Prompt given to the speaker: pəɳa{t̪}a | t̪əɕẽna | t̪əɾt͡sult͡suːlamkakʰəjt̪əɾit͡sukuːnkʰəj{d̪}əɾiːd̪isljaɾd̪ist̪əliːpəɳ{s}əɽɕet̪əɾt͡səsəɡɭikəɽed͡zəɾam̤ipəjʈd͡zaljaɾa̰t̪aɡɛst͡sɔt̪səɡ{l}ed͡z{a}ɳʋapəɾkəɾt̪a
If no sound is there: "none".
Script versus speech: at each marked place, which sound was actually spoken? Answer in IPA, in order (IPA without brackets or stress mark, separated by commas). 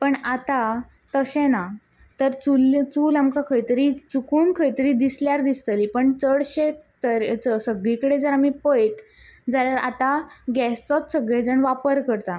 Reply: t̪, t̪, t͡s, ɭ, ə